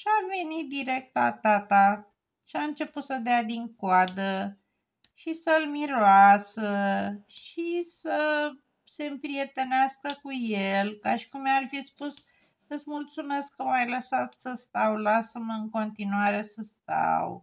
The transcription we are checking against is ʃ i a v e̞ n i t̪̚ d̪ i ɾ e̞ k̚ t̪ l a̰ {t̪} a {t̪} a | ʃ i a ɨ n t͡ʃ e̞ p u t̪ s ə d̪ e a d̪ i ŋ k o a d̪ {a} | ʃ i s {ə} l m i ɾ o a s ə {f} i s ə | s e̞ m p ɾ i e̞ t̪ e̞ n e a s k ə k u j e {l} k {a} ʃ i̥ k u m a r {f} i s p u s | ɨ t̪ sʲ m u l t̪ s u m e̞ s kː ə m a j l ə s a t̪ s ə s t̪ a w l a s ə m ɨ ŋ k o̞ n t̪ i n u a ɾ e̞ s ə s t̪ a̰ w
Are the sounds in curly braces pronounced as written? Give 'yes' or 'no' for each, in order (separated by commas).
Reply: yes, yes, no, yes, no, yes, yes, yes